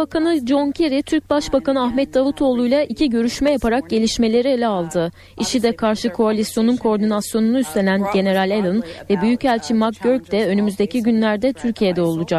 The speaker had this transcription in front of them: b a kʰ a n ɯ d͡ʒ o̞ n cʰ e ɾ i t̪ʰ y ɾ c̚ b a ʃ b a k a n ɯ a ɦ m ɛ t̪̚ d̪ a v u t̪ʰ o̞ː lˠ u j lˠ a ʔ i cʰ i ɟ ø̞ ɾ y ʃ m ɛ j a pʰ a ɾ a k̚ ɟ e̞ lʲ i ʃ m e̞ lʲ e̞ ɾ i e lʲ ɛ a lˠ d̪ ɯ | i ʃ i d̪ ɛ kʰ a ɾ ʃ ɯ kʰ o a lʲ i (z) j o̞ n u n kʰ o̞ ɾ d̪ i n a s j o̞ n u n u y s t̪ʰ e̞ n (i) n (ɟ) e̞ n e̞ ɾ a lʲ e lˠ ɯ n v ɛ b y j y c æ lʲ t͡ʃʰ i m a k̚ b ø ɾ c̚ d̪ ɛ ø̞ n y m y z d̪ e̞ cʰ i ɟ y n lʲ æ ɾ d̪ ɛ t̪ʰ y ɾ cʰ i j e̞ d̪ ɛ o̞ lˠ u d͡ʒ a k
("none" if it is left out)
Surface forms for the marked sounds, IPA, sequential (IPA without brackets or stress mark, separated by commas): s, æ, ɟ